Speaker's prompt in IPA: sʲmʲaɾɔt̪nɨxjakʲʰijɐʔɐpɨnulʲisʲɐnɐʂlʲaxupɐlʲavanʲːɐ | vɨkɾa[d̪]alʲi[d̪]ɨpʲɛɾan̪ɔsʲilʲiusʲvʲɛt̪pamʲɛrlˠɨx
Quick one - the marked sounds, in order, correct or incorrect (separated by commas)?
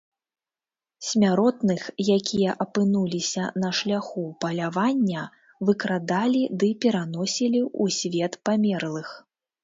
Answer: correct, correct